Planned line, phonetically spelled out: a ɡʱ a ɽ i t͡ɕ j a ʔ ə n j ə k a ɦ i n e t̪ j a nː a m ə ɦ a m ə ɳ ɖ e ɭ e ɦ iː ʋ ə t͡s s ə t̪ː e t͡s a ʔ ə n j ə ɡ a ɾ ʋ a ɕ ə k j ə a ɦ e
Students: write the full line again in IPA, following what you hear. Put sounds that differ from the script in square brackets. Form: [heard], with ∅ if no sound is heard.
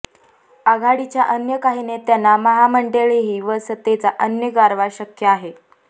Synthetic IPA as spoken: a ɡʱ a ɽ i t͡ɕ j a ʔ ə n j ə k a ɦ i n e t̪ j a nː a m ə ɦ a m ə ɳ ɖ e ɭ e ɦ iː ʋ ə [∅] s ə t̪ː e t͡s a ʔ ə n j ə ɡ a ɾ ʋ a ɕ ə k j ə a ɦ e